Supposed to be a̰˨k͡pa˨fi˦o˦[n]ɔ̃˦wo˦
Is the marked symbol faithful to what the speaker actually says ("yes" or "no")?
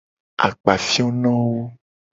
yes